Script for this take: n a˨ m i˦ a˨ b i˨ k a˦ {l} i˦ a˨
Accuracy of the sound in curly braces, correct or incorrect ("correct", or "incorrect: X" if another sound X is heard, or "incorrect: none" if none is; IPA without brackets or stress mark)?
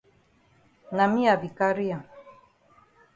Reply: incorrect: ɾ